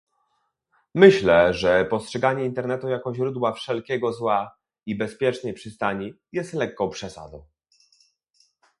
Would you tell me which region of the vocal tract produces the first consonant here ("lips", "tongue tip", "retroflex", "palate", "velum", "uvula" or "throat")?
lips